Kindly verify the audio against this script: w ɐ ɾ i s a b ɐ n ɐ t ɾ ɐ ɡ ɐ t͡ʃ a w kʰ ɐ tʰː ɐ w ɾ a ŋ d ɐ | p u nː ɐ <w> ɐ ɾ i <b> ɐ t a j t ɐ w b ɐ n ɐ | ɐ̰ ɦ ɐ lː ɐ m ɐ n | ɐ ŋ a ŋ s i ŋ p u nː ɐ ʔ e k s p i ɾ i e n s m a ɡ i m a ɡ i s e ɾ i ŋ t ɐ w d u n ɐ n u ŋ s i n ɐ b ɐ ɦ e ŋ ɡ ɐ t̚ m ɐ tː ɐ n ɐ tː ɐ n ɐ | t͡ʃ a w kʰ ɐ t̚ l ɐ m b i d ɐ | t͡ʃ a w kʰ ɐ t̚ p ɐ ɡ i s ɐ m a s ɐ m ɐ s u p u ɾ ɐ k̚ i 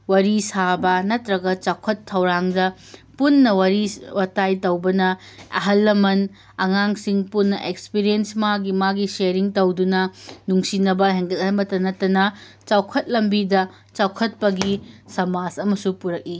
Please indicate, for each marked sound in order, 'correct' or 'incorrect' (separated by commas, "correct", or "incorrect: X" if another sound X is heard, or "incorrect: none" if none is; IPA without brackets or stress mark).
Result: correct, incorrect: w